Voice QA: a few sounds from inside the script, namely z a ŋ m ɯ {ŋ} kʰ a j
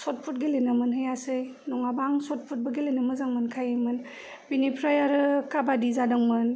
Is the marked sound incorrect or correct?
incorrect